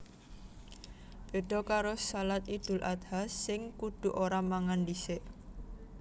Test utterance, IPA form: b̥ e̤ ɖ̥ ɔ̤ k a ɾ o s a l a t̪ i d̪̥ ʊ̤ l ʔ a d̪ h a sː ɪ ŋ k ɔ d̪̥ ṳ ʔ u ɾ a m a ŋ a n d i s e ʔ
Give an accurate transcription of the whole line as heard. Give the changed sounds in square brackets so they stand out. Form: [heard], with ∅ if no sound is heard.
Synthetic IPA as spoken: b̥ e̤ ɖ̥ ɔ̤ k a ɾ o s a l a t̪ i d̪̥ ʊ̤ l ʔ a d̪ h a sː ɪ ŋ k [u] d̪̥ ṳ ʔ [o] ɾ a m a ŋ a n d i s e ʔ